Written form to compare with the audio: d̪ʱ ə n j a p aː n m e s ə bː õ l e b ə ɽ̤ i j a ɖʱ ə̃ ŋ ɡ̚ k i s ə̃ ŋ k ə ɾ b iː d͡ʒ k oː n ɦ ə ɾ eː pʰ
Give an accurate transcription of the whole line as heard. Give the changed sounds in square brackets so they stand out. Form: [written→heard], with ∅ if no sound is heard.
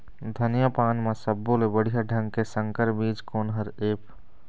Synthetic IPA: d̪ʱ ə n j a p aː n m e s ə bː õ l e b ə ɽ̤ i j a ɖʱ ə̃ ŋ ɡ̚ k [i→e] s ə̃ ŋ k ə ɾ b iː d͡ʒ k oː n ɦ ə ɾ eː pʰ